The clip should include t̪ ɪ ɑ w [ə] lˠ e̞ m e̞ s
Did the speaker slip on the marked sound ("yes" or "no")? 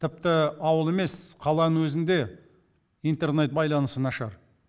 no